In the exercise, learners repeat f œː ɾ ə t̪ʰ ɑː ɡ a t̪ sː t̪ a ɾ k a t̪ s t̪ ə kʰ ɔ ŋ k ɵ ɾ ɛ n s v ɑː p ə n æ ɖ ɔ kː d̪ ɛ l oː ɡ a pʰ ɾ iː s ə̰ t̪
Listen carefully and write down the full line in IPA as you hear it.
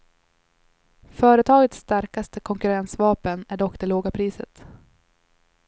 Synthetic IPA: f œː ɾ ə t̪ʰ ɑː ɡ ə t̪ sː t̪ a ɾ k a s t̪ ə kʰ ɔ ŋ k ɵ ɾ ɛ n s v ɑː p ə n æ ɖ ɔ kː d̪ ɛ l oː ɡ a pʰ ɾ iː s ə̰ t̪